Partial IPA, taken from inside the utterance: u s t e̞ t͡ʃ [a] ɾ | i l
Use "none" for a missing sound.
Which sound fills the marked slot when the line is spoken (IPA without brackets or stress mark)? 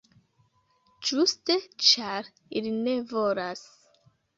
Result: a